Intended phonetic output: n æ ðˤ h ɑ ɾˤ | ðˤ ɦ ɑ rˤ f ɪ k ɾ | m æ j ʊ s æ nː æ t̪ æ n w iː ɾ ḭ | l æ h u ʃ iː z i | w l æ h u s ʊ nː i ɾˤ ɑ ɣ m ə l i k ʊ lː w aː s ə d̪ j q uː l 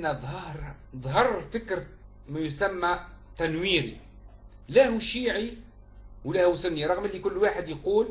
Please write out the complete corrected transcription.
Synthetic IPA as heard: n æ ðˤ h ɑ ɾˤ | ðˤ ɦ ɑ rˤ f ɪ k ɾ | m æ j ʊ s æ mː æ t̪ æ n w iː ɾ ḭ | l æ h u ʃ iː ʕ i | w l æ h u s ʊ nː i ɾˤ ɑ ɣ m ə l i k ʊ lː w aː ħ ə d̪ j q uː l